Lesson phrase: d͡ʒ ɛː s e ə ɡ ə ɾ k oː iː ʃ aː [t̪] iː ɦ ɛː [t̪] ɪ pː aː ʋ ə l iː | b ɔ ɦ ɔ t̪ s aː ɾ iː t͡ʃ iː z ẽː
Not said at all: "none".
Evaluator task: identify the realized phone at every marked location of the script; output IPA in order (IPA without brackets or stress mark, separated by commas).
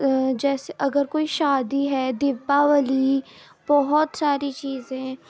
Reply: d̪, d̪